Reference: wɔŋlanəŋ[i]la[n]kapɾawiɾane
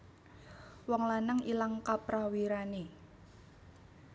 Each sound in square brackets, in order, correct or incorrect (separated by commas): correct, incorrect